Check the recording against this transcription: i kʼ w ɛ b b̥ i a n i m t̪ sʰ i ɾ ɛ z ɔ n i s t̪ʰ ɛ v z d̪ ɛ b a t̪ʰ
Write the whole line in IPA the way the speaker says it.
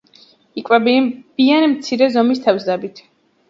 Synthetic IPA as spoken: i kʼ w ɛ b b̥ i a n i m t̪ sʰ i ɾ ɛ z ɔ m i s t̪ʰ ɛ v z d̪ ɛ b i t̪ʰ